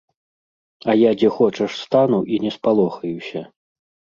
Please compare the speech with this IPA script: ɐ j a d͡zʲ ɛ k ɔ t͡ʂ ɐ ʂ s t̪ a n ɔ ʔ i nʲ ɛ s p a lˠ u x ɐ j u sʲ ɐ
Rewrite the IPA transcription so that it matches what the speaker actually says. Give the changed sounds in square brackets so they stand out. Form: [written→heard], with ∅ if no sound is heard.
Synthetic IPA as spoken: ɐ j a d͡zʲ ɛ [k→x] ɔ t͡ʂ ɐ ʂ s t̪ a n [ɔ→u] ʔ i nʲ ɛ s p a lˠ [u→ɔ] x ɐ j u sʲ ɐ